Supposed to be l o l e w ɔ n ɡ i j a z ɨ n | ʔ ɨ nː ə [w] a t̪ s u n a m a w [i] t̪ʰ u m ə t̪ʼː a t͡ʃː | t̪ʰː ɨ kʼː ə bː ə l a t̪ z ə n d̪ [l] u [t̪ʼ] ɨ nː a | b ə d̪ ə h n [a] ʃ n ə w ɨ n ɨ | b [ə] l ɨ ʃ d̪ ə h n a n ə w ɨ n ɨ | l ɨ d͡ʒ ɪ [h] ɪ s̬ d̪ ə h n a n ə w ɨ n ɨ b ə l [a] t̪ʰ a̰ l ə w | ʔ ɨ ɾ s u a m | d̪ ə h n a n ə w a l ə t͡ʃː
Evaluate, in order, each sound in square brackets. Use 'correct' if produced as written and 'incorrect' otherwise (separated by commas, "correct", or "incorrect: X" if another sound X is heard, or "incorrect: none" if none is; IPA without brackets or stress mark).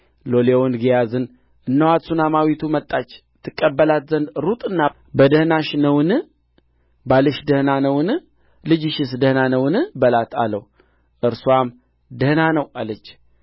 correct, correct, incorrect: ɾ, correct, correct, incorrect: a, incorrect: ʃ, correct